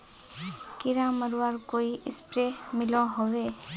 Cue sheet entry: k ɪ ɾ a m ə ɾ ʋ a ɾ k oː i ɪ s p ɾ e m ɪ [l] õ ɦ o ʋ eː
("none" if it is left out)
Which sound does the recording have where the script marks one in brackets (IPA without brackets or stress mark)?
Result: l